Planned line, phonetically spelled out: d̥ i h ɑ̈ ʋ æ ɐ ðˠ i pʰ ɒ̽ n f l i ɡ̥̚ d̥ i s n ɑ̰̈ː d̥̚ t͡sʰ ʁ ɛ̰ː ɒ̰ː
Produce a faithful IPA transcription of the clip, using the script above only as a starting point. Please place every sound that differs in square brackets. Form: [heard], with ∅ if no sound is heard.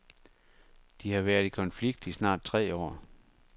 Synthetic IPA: d̥ i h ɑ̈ ʋ æ ɐ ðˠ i [kʰ] ɒ̽ n f l i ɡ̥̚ d̥ i s n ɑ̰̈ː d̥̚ t͡sʰ ʁ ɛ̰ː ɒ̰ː